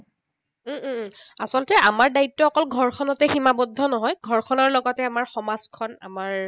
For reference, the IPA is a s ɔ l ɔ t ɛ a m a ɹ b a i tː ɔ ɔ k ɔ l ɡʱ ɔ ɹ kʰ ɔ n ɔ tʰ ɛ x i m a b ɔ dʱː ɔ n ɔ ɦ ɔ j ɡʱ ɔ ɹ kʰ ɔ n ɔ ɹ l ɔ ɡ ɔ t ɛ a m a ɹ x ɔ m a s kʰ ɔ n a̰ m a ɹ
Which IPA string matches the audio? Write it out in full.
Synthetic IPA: a s ɔ l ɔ t ɛ a m a ɹ d a i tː ɔ ɔ k ɔ l ɡʱ ɔ ɹ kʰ ɔ n ɔ t ɛ x i m a b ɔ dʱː ɔ n ɔ ɦ ɔ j ɡʱ ɔ ɹ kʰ ɔ n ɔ ɹ l ɔ ɡ ɔ t ɛ a m a ɹ x ɔ m a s kʰ ɔ n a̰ m a ɹ